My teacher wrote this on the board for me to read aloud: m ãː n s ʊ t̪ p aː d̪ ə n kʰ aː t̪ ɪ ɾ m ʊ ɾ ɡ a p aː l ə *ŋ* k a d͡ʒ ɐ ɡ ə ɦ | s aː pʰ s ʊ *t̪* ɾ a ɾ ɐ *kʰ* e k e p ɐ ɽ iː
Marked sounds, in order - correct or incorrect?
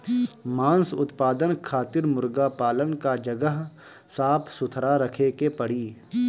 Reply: incorrect: n, incorrect: t̪ʰ, correct

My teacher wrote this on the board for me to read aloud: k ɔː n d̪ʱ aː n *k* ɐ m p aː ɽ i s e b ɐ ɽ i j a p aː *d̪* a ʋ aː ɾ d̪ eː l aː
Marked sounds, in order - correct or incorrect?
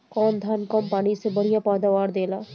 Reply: correct, correct

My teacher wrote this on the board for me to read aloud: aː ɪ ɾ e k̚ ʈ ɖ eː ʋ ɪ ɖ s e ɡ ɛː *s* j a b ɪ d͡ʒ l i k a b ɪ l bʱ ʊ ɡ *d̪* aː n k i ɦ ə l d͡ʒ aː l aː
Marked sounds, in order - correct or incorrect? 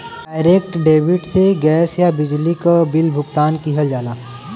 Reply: correct, incorrect: t̪

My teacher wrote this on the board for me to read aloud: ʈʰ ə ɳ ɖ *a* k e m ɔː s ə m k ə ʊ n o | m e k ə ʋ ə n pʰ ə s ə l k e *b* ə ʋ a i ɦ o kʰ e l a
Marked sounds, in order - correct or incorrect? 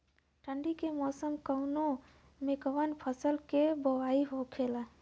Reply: incorrect: i, correct

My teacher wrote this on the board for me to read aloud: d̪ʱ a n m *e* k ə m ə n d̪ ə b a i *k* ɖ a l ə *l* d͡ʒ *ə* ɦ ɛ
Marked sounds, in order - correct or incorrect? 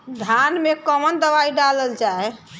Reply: correct, incorrect: none, correct, incorrect: a

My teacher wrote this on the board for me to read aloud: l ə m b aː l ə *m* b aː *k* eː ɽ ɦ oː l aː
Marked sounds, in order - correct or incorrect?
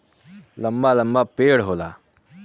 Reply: correct, incorrect: p

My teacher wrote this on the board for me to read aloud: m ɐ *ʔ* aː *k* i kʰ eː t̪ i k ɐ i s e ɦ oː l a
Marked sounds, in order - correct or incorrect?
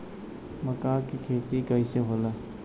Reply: incorrect: k, correct

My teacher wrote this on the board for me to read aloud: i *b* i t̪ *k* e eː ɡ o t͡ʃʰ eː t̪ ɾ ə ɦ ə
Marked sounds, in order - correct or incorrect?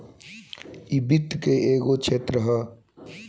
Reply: correct, correct

